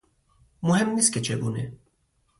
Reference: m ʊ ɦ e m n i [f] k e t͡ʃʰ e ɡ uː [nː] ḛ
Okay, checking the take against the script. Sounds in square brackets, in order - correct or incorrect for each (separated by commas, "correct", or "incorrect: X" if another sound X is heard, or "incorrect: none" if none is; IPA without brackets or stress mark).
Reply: incorrect: s, incorrect: n